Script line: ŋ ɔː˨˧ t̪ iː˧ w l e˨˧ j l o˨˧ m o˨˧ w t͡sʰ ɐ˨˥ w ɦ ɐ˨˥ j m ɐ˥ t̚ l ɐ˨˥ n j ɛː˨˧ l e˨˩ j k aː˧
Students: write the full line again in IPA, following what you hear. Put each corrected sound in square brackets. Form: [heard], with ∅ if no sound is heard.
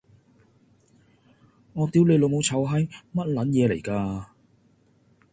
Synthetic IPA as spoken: ŋ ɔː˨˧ t̪ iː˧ w l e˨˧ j l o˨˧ m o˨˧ w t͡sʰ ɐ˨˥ w ɦ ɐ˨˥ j m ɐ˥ t̚ l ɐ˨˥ n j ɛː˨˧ l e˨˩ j k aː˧